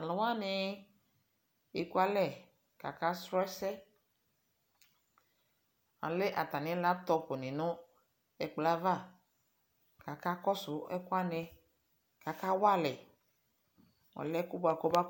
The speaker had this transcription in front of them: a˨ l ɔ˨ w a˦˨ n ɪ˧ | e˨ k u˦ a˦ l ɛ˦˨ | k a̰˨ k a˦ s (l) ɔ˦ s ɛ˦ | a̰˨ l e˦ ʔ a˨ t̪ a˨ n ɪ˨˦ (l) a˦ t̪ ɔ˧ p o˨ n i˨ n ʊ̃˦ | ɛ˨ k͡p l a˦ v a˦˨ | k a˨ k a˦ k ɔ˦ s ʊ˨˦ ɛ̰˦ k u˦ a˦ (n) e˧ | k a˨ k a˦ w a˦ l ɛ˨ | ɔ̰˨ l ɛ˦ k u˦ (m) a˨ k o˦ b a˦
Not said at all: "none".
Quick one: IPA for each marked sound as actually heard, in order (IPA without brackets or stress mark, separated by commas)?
ɾ, l, n, b